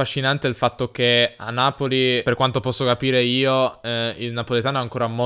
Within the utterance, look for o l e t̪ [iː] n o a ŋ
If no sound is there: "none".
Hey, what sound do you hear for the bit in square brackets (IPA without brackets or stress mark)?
aː